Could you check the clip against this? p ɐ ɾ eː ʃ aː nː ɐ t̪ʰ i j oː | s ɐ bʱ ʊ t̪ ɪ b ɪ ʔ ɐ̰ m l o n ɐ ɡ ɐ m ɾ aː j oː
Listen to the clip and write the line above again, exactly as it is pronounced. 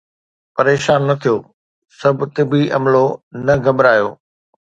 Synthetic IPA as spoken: p ɐ ɾ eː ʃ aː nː ɐ t̪ʰ i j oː | s ɐ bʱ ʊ t̪ ɪ b i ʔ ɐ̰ m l o n ɐ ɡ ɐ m ɾ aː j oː

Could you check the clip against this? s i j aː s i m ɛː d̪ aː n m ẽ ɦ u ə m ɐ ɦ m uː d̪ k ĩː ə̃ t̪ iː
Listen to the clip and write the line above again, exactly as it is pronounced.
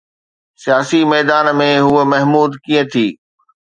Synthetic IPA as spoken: s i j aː s i m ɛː d̪ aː n m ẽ ɦ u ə m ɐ ɦ m uː d̪ k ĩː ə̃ t̪ʰ iː

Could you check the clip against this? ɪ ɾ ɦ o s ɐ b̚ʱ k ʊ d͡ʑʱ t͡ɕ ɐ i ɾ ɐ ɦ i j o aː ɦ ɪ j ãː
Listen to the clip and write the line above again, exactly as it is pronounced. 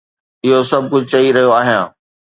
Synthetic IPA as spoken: ɪ ɦ o s ɐ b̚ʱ k ʊ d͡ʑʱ t͡ɕ ɐ i ɾ ɐ ɦ i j o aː ɦ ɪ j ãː

